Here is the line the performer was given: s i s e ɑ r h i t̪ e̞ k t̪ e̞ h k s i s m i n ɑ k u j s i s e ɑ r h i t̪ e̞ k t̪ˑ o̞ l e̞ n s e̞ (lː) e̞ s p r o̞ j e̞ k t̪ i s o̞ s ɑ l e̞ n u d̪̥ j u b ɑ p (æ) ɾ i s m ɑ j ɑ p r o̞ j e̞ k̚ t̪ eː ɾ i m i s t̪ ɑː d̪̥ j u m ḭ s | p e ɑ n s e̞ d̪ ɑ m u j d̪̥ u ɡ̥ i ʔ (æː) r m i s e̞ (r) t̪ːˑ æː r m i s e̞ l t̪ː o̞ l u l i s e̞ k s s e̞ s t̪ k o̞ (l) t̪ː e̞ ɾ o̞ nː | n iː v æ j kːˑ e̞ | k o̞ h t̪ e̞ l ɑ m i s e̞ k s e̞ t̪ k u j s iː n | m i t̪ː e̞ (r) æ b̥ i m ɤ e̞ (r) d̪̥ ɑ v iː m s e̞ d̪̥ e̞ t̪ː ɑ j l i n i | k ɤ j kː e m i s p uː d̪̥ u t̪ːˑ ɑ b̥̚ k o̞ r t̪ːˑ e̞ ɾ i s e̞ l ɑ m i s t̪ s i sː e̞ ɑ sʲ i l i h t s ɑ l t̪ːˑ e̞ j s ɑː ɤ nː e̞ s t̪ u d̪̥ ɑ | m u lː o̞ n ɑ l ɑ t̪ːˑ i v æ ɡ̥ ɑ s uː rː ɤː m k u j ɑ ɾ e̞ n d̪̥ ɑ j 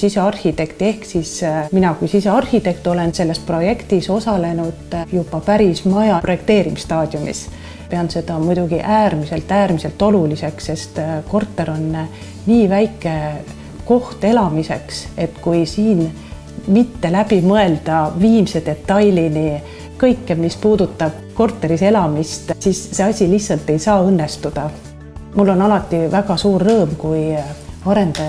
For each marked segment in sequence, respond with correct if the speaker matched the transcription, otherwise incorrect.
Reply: correct, correct, correct, incorrect: l, incorrect: r, incorrect: l, incorrect: l

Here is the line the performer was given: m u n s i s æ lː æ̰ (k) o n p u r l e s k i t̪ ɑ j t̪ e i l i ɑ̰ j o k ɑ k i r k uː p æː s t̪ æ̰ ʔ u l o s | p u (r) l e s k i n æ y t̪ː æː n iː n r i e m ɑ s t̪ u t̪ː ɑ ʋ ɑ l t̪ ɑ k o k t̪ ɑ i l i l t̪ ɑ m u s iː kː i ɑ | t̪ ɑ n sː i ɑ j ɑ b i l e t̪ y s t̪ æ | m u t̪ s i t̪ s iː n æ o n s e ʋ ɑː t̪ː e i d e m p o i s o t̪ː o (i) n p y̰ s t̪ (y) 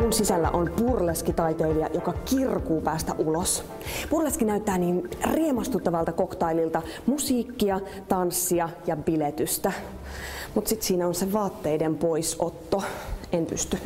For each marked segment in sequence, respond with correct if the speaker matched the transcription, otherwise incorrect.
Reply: incorrect: ʔ, correct, incorrect: e, correct

